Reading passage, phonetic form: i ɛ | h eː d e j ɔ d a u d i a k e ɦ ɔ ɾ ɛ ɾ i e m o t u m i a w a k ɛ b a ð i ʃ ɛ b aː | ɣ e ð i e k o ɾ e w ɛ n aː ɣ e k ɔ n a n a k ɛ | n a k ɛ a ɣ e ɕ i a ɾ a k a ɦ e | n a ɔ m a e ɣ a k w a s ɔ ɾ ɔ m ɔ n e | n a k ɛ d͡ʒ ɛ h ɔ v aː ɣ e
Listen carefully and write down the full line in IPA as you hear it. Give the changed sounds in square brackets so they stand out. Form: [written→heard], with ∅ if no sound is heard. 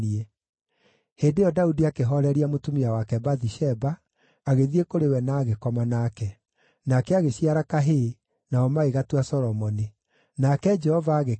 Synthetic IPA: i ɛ | h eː d e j ɔ d a u d i a k e ɦ ɔ ɾ ɛ ɾ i [e→a] m o t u m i a w a k ɛ b a ð i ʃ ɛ b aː | ɣ e ð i e k o ɾ e w ɛ n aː ɣ e k ɔ [n→m] a n a k ɛ | n a k ɛ a ɣ e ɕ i a ɾ a k a ɦ e | n a ɔ m a e ɣ a [k→t] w a s ɔ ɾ ɔ m ɔ n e | n a k ɛ d͡ʒ ɛ h ɔ v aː ɣ e